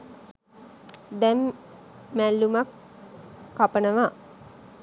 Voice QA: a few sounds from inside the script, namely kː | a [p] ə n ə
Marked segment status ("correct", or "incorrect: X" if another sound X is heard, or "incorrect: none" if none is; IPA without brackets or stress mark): correct